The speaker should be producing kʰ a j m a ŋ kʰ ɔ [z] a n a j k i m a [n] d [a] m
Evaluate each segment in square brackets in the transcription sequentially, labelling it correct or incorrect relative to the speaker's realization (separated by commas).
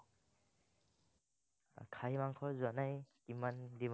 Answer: correct, correct, incorrect